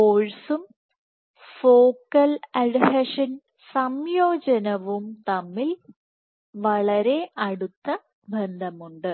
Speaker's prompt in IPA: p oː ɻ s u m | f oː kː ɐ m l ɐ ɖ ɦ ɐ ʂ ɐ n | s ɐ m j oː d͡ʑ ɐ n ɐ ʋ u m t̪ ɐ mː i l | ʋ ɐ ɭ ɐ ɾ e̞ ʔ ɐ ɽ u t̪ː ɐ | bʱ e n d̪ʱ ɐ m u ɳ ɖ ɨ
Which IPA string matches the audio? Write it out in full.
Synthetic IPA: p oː ɻ s u m | f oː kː ɐ l ɐ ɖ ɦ ɐ ʂ ɐ n | s ɐ m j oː d͡ʑ ɐ n ɐ ʋ u m t̪ ɐ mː i l | ʋ ɐ ɭ ɐ ɾ e̞ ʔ ɐ ɽ u t̪ː ɐ | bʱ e n d̪ʱ ɐ m u ɳ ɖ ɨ